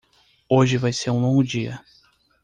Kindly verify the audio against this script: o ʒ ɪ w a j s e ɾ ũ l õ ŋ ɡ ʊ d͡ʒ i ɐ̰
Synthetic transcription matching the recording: o ʒ ɪ v a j s e ɾ ũ l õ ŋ ɡ ʊ d͡ʒ i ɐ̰